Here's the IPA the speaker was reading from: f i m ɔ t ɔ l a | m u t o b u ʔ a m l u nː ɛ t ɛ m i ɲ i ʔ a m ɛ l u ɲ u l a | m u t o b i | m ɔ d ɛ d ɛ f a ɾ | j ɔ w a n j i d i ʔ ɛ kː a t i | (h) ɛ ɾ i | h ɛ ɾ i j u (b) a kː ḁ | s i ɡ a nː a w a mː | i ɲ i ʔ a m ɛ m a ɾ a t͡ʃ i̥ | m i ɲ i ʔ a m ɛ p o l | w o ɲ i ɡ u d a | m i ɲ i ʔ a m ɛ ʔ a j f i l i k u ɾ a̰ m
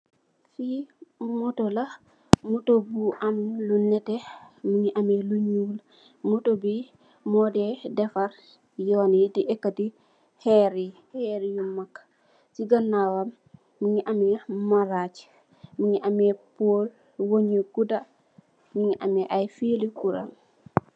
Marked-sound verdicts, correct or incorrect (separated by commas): correct, incorrect